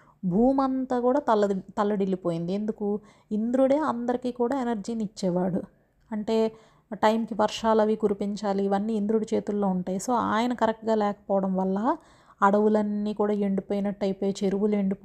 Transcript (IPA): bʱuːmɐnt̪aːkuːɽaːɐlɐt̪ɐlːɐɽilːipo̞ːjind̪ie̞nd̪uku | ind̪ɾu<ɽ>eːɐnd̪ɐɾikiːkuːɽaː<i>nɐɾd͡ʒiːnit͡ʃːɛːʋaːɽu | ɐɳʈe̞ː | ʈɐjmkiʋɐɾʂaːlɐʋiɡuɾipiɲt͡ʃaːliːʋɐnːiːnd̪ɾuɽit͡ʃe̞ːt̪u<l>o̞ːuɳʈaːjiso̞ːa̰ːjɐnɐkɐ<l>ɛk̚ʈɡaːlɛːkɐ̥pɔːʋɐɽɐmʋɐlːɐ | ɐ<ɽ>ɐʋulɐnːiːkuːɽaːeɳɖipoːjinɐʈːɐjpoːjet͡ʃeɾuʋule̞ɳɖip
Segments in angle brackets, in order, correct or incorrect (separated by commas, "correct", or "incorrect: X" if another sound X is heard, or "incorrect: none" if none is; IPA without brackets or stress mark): correct, incorrect: e, incorrect: lː, incorrect: ɾ, correct